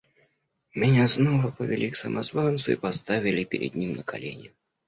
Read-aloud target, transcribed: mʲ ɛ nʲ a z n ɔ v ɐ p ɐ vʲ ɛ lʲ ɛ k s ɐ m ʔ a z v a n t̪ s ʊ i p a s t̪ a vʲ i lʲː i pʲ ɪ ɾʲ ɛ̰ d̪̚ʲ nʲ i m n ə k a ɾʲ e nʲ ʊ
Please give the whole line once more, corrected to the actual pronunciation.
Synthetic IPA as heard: mʲ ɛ nʲ a z n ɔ v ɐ p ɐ vʲ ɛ lʲ i k s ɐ m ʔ a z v a n t̪ s ʊ i p a s t̪ a vʲ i lʲ i pʲ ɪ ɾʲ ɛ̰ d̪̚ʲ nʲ i m n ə k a lʲ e nʲ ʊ